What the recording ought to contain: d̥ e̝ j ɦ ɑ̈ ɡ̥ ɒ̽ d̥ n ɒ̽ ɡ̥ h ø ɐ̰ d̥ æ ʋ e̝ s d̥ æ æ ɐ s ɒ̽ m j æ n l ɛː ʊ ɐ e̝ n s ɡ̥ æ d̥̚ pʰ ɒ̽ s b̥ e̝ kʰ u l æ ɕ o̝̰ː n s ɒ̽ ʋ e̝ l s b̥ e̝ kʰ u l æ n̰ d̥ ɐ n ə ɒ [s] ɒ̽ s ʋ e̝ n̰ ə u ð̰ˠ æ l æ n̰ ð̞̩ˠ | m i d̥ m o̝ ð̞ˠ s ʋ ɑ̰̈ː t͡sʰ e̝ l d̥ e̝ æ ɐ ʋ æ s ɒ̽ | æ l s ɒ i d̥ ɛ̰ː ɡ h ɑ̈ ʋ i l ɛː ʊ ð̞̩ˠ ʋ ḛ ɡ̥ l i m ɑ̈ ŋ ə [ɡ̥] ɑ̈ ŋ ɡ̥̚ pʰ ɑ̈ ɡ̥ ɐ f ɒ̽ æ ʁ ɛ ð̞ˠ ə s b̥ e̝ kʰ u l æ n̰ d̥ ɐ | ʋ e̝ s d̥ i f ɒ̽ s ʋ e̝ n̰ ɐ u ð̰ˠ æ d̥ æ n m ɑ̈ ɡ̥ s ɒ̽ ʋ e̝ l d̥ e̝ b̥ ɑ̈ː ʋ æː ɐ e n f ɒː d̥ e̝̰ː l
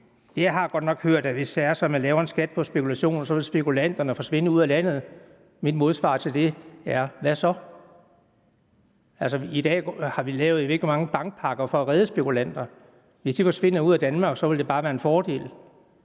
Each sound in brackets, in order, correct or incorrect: incorrect, incorrect

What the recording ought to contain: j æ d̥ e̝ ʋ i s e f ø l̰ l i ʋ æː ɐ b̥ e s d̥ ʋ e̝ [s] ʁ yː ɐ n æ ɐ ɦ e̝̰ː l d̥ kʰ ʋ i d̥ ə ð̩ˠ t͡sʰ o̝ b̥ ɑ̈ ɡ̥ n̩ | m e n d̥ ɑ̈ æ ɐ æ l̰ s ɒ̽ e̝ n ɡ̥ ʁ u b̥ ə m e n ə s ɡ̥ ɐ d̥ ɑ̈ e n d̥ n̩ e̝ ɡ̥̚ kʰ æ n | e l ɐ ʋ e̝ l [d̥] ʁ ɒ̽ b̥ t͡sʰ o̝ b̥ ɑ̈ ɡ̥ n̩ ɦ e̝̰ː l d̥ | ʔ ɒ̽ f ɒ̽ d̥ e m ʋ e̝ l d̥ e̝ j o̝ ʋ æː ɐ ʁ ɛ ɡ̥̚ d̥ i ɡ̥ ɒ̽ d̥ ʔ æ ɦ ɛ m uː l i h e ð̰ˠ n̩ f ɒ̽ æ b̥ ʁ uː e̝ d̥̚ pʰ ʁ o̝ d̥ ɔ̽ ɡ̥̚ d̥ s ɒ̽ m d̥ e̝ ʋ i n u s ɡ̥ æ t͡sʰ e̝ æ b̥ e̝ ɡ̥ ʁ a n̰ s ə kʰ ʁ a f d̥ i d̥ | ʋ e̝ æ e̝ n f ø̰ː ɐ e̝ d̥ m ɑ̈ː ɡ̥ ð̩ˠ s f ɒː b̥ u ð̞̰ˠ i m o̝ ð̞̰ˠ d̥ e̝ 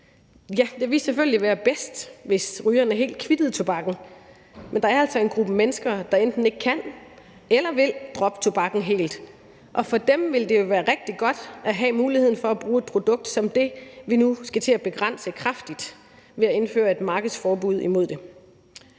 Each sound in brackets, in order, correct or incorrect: correct, correct

